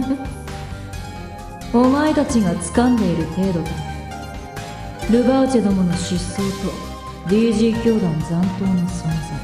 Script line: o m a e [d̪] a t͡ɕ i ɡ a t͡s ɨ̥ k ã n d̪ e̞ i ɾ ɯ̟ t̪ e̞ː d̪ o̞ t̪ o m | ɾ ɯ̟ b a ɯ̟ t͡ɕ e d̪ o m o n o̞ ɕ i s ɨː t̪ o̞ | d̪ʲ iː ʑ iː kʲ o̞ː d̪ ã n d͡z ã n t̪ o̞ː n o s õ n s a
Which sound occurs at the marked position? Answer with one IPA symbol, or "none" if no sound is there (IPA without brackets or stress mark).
t̪